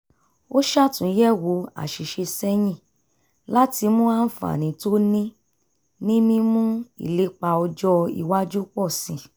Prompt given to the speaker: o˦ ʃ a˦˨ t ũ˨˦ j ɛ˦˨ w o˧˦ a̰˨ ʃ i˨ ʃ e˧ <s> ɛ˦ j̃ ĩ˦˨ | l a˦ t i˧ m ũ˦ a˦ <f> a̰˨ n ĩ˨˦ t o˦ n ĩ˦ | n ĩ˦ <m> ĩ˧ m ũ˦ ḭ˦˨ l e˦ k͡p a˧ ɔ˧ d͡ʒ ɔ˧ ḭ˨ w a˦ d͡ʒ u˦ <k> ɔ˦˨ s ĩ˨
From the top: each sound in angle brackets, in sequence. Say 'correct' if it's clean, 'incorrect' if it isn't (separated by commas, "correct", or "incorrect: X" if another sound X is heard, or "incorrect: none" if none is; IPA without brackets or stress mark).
correct, correct, correct, incorrect: k͡p